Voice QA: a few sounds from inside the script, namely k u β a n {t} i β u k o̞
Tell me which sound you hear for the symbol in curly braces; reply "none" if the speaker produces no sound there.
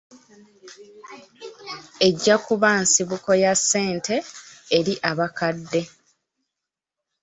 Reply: s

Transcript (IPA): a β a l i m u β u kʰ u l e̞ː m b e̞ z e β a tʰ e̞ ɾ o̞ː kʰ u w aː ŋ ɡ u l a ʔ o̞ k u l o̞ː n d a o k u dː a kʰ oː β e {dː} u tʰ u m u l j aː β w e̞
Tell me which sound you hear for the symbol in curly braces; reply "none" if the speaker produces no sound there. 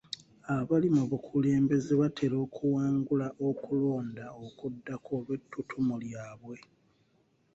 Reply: tː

